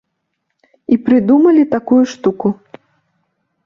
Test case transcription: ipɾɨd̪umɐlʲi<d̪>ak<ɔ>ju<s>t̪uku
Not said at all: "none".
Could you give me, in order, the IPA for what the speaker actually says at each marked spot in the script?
t̪, u, ʂ

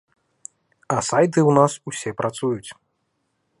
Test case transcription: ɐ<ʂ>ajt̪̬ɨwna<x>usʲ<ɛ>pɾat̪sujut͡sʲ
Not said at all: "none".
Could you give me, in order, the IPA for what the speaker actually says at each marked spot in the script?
s, s, ɛ

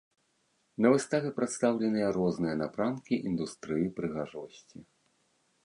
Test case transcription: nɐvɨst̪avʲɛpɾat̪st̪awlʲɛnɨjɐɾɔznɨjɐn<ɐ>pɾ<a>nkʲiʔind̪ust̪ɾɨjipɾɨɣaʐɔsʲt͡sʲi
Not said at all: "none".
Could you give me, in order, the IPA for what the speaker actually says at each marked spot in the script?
a, a

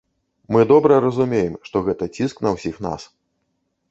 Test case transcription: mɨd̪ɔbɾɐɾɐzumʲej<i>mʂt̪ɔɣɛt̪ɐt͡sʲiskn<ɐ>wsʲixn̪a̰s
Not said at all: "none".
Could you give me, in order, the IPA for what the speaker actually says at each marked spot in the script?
ɛ, ɐ

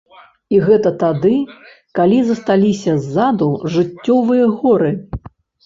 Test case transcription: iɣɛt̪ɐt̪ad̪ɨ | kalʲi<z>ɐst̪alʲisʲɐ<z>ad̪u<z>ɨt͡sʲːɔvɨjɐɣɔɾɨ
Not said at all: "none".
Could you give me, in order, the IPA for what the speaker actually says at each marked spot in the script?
z, zː, ʐ

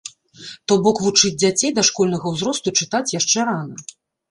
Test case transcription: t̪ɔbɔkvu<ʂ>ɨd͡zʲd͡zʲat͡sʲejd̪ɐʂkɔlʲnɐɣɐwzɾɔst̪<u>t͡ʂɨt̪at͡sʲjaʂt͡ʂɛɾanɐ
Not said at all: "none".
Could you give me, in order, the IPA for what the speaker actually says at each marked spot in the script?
t͡ʂ, u

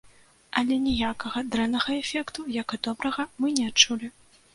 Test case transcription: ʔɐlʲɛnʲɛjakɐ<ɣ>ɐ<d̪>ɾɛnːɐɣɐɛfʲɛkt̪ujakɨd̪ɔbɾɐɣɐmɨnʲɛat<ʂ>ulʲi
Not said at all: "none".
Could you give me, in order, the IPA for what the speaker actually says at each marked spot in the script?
ɣ, d̪, t͡ʂ

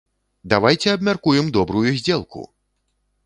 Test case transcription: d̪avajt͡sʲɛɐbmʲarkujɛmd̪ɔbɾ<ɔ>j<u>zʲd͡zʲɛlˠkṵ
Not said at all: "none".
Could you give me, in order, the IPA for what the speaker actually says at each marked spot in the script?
u, u

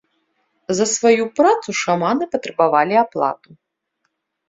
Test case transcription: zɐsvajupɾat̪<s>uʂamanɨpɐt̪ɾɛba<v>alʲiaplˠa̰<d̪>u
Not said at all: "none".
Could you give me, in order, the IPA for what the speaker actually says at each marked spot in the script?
s, v, t̪

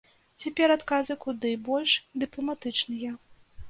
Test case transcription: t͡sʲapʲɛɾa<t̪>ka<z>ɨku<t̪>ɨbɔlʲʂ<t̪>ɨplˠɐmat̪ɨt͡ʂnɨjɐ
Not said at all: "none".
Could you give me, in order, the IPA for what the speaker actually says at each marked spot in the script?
t̪, z, d̪, d̪

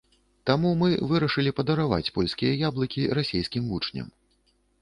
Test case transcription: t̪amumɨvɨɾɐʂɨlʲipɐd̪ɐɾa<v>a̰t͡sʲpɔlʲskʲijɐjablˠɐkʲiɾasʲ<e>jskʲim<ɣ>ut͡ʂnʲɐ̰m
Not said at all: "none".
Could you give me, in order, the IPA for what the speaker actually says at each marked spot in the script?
v, e, v

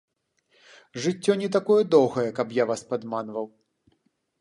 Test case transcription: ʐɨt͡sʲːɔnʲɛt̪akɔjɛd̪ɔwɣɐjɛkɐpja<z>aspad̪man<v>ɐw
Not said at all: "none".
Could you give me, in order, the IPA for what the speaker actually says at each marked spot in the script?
v, v

